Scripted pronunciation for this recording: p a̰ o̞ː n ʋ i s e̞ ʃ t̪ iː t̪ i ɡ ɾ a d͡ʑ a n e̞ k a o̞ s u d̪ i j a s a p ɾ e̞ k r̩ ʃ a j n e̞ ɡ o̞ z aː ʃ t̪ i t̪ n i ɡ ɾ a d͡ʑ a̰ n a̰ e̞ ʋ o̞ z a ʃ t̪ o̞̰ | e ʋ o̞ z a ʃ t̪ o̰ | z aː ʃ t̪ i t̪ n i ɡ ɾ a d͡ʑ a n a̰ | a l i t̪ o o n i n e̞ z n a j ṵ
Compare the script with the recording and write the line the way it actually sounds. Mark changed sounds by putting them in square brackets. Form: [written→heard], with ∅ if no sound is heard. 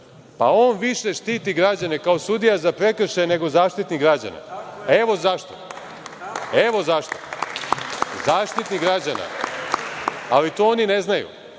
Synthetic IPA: p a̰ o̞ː n ʋ i [s→ʃ] e̞ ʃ t̪ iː t̪ i ɡ ɾ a d͡ʑ a n e̞ k a o̞ s u d̪ i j a [s→z] a p ɾ e̞ k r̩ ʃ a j n e̞ ɡ o̞ z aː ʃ t̪ i t̪ n i ɡ ɾ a d͡ʑ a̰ n a̰ e̞ ʋ o̞ z a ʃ t̪ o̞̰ | e ʋ o̞ z a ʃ t̪ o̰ | z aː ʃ t̪ i t̪ n i ɡ ɾ a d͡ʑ a n a̰ | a l i t̪ o o n i n e̞ z n a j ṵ